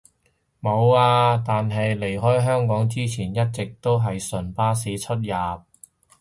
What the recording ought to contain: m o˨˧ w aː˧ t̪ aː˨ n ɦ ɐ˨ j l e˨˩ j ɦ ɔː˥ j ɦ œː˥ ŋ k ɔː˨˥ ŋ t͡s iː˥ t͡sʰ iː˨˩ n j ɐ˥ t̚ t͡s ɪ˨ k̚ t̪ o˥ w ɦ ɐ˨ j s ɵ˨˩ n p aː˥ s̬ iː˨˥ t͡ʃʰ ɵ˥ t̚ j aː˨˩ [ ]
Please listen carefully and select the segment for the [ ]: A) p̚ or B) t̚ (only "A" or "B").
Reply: A